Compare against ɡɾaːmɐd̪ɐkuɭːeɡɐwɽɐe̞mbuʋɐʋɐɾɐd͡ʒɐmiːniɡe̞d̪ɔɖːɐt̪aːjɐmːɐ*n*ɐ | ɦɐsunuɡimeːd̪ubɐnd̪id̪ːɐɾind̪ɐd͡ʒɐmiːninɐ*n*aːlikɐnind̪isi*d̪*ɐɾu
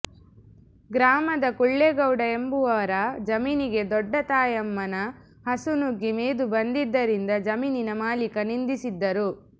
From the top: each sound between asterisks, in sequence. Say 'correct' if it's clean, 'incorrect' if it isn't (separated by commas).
correct, incorrect, incorrect